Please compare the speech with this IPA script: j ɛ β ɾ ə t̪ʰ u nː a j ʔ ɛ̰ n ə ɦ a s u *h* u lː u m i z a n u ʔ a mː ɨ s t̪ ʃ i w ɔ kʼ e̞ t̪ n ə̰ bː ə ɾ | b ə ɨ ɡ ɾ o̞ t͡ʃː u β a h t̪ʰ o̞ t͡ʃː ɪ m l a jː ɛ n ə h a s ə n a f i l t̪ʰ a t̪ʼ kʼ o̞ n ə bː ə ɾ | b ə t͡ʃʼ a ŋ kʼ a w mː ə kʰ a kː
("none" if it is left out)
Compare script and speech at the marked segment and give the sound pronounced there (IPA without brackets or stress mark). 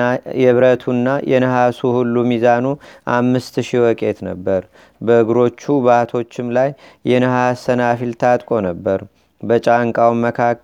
h